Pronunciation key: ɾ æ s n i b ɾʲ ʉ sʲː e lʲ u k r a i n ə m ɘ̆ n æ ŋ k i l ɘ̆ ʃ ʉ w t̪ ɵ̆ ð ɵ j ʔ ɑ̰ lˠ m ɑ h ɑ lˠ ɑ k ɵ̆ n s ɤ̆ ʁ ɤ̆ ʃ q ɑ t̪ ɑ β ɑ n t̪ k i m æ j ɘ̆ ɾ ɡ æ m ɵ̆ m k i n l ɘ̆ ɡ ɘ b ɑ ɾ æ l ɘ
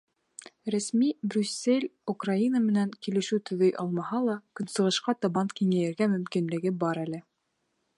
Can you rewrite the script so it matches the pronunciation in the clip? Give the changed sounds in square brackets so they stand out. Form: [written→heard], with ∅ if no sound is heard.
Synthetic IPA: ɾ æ s [n→m] i b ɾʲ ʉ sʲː e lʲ u k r a i n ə m ɘ̆ n æ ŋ k i l ɘ̆ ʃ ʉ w t̪ ɵ̆ ð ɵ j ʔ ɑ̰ lˠ m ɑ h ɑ lˠ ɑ k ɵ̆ n s ɤ̆ ʁ ɤ̆ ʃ q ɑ t̪ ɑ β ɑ n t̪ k i [m→ŋ] æ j ɘ̆ ɾ ɡ æ m ɵ̆ m k i n l ɘ̆ ɡ ɘ b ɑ ɾ æ l ɘ